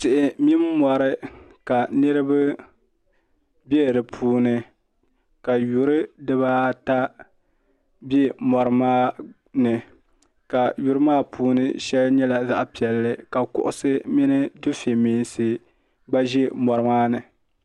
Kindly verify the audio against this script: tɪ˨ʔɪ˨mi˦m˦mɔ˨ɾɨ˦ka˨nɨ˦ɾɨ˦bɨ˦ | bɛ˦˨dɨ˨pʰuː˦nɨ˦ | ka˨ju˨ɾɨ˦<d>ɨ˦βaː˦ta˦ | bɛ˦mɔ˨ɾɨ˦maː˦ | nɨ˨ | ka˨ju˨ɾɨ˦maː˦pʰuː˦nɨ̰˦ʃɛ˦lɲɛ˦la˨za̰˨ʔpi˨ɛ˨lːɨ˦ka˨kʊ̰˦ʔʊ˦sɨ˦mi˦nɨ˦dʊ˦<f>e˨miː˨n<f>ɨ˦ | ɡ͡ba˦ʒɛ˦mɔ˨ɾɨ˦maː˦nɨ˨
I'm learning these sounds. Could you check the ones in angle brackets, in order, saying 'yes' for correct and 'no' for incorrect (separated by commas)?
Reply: yes, yes, no